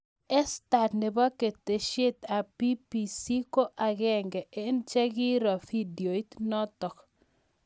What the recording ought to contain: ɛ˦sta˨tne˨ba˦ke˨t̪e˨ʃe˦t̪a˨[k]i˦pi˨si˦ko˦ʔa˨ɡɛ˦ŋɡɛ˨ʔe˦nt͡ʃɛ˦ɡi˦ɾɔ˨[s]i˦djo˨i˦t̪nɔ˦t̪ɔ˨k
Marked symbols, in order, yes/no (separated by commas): no, no